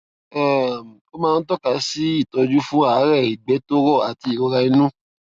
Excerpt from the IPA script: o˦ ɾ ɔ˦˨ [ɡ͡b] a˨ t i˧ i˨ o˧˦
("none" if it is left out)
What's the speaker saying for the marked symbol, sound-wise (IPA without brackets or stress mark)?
none